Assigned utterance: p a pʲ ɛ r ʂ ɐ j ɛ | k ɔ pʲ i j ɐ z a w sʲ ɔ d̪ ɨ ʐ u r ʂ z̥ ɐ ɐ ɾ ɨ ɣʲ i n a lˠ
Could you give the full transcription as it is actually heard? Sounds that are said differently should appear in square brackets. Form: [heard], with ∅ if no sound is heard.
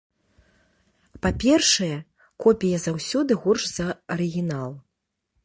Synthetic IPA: p a pʲ ɛ r ʂ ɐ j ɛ | k ɔ pʲ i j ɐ z a w sʲ ɔ d̪ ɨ [ɣ] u r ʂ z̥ ɐ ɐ ɾ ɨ ɣʲ i n a lˠ